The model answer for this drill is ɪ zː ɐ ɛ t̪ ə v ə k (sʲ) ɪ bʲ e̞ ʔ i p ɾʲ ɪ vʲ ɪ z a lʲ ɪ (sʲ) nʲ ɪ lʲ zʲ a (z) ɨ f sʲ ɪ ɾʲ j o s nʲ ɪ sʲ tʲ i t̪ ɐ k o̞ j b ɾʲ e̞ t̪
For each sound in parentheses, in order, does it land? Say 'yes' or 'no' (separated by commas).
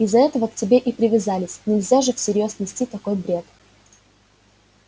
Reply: no, yes, no